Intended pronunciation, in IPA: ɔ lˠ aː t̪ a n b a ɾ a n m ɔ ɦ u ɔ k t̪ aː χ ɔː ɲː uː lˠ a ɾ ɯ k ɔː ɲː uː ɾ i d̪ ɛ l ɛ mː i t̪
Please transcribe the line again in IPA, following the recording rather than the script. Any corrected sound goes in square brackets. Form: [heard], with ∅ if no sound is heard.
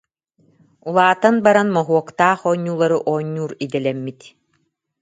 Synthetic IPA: [u] lˠ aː t̪ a n b a ɾ a n m ɔ ɦ u ɔ k t̪ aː χ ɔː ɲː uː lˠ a ɾ ɯ [ʔ] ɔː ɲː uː ɾ i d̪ ɛ l ɛ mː i t̪